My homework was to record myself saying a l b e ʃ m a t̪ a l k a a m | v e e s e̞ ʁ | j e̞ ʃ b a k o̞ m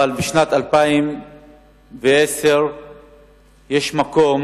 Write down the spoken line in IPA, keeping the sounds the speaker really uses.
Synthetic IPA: a l b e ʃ n a t̪ a l p a i m | v e e s e̞ ʁ | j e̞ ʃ m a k o̞ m